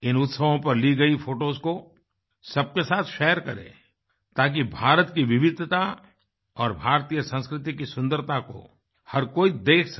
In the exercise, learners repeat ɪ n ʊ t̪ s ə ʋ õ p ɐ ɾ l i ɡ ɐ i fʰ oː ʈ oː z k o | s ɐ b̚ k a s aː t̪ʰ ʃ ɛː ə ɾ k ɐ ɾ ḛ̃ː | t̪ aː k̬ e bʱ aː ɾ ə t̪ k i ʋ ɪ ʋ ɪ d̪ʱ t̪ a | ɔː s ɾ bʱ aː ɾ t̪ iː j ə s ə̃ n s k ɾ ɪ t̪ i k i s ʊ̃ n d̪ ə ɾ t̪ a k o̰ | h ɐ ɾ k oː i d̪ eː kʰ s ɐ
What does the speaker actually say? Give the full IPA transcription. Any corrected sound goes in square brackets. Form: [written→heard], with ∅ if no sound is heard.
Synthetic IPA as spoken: ɪ n ʊ t̪ s ə ʋ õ p ɐ ɾ l i ɡ ɐ i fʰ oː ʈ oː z k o | s ɐ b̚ k [a→e] s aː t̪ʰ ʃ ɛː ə ɾ k ɐ ɾ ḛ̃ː | t̪ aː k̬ [e→i] bʱ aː ɾ ə t̪ k i ʋ ɪ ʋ ɪ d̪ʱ t̪ a | ɔː [s→∅] ɾ bʱ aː ɾ t̪ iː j ə s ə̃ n s k ɾ ɪ t̪ i k i s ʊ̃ n d̪ ə ɾ t̪ a k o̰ | h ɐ ɾ k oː i d̪ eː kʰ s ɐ